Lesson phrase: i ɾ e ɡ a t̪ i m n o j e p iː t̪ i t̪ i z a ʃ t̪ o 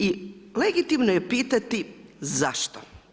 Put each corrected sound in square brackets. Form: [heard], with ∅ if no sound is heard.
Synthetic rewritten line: i [l] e ɡ [i] t̪ i m n o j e p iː t̪ [a] t̪ i z a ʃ t̪ o